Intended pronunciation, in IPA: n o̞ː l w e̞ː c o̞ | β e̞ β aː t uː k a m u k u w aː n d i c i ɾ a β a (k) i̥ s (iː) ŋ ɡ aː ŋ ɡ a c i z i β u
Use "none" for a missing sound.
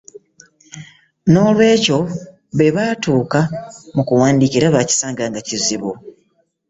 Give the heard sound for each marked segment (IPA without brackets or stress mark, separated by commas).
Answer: c, aː